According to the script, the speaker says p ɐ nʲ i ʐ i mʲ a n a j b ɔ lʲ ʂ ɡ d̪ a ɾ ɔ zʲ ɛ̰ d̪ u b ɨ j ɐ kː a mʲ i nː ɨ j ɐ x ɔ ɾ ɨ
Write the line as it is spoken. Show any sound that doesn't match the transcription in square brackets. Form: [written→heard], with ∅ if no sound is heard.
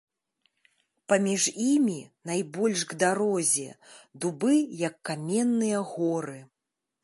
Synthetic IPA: p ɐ [nʲ→mʲ] i ʐ i mʲ [a→i] n a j b ɔ lʲ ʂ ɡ d̪ a ɾ ɔ zʲ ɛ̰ d̪ u b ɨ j ɐ kː a mʲ [i→ɛ] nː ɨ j ɐ [x→ɣ] ɔ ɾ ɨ